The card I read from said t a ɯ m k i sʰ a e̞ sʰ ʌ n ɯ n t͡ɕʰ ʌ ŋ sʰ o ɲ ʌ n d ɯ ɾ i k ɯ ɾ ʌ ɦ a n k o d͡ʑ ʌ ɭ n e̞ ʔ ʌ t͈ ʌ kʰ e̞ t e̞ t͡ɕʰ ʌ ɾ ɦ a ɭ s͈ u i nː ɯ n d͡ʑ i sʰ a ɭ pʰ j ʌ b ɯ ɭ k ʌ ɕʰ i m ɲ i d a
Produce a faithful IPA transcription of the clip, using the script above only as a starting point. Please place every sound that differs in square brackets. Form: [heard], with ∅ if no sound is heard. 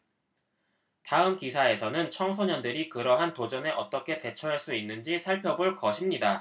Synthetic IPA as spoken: t a ɯ m k i sʰ a e̞ sʰ ʌ n ɯ n t͡ɕʰ ʌ ŋ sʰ o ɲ ʌ n d ɯ ɾ i k ɯ ɾ ʌ ɦ a n [t] o d͡ʑ ʌ [∅] n e̞ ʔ ʌ t͈ ʌ kʰ e̞ t e̞ t͡ɕʰ ʌ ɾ ɦ a ɭ s͈ u i nː ɯ n d͡ʑ i sʰ a ɭ pʰ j ʌ b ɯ ɭ k ʌ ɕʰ i m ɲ i d a